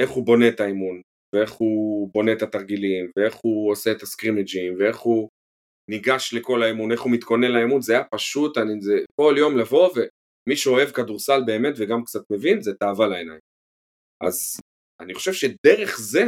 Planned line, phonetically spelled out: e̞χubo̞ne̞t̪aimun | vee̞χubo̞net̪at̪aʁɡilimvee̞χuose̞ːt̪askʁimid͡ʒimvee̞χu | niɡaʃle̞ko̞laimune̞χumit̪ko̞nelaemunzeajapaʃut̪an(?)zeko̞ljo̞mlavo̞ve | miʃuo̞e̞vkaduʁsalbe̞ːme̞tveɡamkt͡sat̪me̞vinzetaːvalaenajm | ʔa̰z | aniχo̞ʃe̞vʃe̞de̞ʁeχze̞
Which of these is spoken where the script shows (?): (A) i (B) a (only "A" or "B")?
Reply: A